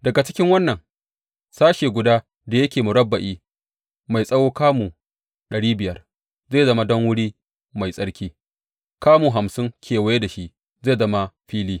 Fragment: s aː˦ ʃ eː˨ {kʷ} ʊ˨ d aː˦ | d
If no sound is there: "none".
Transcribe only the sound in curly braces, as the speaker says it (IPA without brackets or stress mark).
ɡʷ